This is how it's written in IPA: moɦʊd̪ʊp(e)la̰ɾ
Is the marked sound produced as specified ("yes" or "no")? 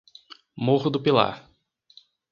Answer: no